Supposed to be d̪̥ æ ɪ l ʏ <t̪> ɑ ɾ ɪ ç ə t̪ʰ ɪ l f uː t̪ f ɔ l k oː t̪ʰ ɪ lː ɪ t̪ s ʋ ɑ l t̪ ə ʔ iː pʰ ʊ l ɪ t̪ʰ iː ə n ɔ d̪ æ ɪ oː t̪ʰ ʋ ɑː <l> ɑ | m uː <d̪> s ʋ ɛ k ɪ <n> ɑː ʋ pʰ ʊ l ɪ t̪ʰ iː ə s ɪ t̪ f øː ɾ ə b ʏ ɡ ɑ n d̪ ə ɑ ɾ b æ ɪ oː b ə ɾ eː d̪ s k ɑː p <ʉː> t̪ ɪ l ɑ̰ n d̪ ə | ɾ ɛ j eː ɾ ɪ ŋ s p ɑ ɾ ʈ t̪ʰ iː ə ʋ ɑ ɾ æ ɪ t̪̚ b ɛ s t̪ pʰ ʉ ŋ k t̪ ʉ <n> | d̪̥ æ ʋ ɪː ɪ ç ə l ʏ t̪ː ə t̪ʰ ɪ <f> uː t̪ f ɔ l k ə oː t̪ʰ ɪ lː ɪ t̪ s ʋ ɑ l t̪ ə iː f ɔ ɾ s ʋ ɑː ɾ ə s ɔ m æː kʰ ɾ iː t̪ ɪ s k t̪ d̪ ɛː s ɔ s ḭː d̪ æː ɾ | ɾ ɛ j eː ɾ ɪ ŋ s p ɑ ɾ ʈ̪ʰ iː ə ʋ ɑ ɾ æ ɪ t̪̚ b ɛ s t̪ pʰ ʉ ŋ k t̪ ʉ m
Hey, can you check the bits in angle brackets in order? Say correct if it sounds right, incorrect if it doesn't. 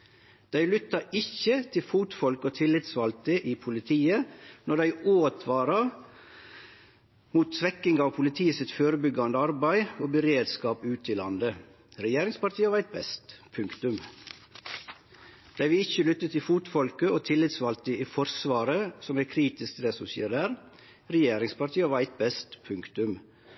correct, incorrect: ɾ, incorrect: t̪, incorrect: ŋ, correct, incorrect: m, correct

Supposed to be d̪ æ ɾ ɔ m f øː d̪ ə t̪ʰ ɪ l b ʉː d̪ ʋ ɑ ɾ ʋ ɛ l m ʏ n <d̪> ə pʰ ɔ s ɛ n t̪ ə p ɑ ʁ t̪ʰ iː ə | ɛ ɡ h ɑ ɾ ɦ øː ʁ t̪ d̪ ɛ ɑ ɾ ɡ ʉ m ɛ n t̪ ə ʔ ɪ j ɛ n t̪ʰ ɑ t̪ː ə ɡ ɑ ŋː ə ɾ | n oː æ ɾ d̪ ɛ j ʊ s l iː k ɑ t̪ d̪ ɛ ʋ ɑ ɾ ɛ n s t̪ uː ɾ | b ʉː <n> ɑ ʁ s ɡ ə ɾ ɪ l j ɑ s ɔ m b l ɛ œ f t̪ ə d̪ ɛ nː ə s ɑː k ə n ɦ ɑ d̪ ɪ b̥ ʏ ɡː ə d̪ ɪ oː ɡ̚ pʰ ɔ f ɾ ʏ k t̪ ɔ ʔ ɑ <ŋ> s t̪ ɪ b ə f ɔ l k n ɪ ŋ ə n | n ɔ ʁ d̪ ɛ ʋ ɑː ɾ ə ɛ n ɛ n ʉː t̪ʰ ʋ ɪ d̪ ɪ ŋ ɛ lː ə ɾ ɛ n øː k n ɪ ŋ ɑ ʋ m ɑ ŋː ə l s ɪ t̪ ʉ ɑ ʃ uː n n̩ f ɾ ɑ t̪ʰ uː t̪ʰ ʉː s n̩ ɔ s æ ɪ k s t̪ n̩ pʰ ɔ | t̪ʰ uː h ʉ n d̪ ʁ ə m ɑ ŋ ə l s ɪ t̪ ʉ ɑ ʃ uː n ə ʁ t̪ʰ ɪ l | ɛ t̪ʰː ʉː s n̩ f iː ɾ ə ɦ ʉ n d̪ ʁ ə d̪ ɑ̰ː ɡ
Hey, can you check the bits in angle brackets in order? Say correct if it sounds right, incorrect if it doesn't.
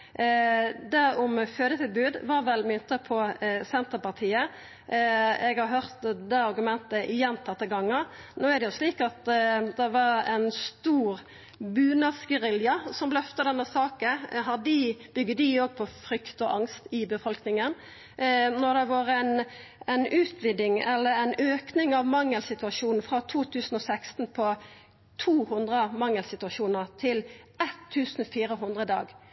incorrect: t̪, correct, correct

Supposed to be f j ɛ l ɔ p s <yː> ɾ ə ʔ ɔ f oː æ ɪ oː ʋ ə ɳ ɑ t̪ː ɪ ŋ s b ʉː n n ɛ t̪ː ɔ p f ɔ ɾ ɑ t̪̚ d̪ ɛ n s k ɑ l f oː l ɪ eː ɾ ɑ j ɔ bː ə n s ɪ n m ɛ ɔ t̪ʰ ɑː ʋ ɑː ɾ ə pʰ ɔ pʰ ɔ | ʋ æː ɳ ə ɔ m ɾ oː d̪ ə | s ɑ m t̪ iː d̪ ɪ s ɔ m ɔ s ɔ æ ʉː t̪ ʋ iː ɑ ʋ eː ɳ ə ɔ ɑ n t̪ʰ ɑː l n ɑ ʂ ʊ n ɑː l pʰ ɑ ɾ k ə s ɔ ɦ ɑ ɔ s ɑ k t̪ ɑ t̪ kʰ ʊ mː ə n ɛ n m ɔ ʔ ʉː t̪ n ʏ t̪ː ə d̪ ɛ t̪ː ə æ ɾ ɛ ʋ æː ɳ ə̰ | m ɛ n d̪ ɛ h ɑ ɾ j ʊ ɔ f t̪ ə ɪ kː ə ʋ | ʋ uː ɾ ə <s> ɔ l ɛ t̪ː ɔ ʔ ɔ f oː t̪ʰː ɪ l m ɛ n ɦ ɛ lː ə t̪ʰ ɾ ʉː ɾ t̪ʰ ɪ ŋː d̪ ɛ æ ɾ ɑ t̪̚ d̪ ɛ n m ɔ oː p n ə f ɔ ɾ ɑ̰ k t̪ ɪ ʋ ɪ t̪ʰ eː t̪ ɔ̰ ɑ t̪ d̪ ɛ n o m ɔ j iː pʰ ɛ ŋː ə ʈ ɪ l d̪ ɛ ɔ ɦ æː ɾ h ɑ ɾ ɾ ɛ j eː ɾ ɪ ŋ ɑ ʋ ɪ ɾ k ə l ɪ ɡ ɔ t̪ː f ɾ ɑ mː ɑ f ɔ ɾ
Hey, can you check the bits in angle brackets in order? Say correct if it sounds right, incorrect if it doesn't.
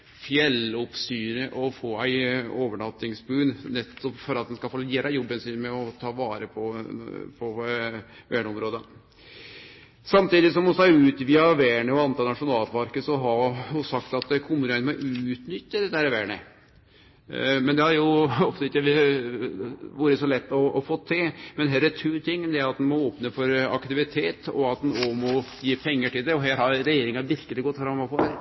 correct, correct

